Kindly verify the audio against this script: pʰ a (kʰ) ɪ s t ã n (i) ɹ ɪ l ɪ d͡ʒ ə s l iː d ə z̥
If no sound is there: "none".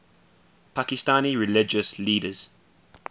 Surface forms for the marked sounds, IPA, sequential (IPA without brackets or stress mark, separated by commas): k, i